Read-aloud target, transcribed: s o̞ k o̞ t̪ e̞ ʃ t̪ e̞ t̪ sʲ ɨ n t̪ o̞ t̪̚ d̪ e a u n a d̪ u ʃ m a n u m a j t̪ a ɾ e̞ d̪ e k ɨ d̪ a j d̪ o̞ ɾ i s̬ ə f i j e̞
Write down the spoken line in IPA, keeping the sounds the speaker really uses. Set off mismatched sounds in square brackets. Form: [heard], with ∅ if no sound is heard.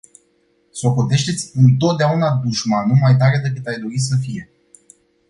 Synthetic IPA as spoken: s o̞ k o̞ t̪ e̞ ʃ t̪ e̞ t̪ sʲ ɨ n t̪ o̞ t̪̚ d̪ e a u n a d̪ u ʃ m a n u m a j t̪ a ɾ e̞ d̪ e k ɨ [t̪] a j d̪ o̞ ɾ i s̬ ə f i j e̞